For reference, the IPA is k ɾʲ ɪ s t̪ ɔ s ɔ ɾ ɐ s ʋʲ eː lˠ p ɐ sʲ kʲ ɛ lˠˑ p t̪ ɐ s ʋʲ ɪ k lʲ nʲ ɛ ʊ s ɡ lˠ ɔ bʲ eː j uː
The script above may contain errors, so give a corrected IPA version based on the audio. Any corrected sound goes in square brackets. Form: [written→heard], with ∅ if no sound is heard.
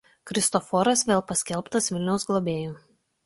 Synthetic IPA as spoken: k ɾʲ ɪ s t̪ ɔ [s→f] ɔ ɾ ɐ s ʋʲ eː lˠ p ɐ sʲ kʲ ɛ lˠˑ p t̪ ɐ s ʋʲ ɪ [k→∅] lʲ nʲ ɛ ʊ s ɡ lˠ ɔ bʲ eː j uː